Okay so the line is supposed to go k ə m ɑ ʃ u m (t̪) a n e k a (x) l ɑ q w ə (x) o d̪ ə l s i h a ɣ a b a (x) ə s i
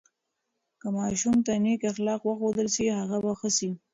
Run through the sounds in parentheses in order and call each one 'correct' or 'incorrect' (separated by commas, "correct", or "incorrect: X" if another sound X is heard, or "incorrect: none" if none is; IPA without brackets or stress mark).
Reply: correct, correct, correct, correct